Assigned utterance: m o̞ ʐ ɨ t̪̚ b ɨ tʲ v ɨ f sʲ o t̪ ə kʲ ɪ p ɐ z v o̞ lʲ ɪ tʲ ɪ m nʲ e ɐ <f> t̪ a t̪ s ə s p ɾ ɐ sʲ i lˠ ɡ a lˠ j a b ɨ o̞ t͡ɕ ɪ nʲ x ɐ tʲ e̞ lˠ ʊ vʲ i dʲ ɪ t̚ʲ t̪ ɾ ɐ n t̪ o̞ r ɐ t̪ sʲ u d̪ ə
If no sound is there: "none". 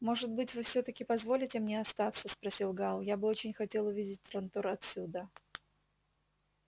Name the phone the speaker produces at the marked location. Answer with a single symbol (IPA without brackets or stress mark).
s